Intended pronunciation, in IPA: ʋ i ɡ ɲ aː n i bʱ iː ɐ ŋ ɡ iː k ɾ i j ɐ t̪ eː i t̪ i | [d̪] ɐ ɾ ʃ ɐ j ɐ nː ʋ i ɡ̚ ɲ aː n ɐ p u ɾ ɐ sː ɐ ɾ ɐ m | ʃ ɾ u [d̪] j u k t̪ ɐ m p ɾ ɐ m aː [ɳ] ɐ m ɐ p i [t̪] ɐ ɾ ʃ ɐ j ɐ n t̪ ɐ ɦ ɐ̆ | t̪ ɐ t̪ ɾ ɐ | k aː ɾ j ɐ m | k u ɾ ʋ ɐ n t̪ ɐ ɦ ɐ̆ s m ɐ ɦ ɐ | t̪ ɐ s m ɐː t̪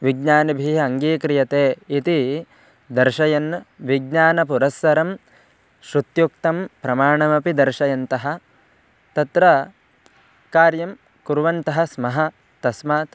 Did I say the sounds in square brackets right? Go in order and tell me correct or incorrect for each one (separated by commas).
correct, incorrect, correct, incorrect